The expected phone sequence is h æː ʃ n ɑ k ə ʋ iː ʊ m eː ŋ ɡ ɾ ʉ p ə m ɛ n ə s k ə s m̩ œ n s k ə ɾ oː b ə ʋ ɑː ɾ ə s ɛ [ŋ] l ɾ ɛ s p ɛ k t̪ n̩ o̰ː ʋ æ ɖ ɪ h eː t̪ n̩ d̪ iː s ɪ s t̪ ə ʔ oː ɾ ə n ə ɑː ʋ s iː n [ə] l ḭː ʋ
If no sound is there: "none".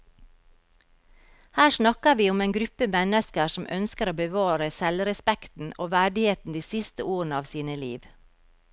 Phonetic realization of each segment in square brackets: none, ə

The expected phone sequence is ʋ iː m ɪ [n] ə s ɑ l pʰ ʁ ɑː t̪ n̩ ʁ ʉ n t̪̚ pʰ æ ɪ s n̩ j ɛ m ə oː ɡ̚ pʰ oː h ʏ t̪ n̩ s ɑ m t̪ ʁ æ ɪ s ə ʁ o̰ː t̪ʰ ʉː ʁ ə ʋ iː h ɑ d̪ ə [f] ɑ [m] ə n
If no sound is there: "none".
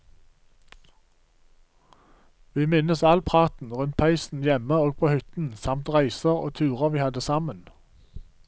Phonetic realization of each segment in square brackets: n, s, m

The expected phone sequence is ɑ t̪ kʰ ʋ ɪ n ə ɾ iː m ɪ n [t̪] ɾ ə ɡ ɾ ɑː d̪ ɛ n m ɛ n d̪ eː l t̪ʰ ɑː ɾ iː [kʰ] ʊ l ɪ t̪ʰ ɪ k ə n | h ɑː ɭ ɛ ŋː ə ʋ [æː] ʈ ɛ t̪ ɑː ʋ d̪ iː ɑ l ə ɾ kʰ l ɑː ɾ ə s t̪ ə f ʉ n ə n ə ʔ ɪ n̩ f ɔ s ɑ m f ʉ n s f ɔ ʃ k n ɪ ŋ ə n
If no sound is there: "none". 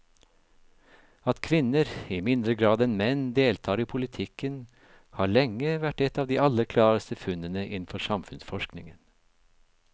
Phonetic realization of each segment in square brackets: d̪, pʰ, æ

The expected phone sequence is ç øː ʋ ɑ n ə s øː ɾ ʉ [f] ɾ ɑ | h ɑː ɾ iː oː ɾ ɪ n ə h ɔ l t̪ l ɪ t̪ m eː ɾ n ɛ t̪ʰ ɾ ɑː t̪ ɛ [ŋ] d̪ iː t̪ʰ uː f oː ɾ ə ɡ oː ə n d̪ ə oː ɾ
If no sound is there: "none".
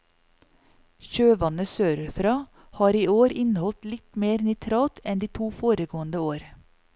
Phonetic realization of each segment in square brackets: f, n

